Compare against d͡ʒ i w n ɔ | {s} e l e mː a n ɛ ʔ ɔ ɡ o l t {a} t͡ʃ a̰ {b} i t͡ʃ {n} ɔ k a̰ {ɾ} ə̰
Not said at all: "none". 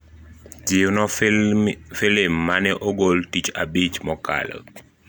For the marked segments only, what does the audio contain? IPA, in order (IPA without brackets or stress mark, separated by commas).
f, i, b, m, l